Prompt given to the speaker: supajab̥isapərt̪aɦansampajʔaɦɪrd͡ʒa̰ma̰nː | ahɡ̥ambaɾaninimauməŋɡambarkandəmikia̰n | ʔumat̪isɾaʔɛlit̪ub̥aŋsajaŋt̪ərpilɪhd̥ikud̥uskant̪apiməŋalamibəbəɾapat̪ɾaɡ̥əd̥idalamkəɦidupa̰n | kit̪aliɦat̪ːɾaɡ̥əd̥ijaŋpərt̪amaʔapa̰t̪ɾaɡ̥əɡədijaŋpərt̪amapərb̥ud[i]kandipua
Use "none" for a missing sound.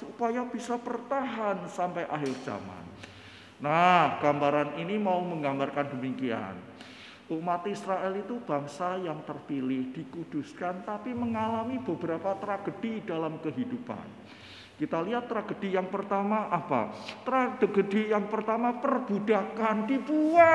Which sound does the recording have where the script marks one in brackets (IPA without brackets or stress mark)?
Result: a